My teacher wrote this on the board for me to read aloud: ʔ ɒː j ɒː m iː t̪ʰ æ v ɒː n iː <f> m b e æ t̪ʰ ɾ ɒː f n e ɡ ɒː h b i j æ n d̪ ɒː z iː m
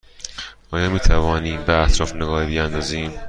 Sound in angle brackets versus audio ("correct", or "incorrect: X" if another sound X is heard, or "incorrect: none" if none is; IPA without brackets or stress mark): incorrect: none